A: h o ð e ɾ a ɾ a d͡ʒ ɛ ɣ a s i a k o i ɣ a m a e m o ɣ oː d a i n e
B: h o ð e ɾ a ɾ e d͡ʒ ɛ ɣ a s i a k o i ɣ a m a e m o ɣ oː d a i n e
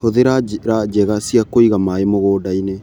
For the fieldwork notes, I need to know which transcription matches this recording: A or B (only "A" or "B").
A